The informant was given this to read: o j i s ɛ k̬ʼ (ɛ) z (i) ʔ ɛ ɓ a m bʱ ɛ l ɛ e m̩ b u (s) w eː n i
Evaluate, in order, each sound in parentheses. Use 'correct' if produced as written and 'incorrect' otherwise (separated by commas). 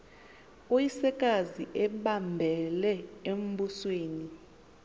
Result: incorrect, correct, correct